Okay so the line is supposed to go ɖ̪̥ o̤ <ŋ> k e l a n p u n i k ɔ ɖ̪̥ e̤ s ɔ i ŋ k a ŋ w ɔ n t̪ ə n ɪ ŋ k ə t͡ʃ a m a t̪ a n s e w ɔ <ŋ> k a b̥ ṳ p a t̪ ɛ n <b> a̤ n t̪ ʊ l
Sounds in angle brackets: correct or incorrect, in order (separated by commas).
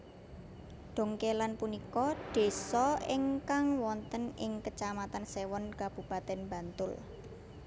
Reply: correct, incorrect, correct